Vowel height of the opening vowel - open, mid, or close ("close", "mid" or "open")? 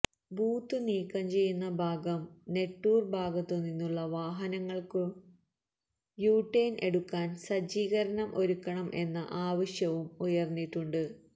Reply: close